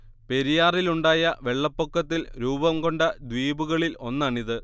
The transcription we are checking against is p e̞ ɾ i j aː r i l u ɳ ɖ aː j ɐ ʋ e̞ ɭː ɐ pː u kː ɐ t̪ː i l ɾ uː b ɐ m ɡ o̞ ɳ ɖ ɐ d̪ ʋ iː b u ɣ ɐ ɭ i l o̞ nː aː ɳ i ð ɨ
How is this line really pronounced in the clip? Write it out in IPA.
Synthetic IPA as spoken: p e̞ ɾ i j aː r i l u ɳ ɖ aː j ɐ ʋ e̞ ɭː ɐ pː o kː ɐ t̪ː i l ɾ uː b ɐ m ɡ o̞ ɳ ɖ ɐ d̪ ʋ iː b u ɣ ɐ ɭ i l o̞ nː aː ɳ i ð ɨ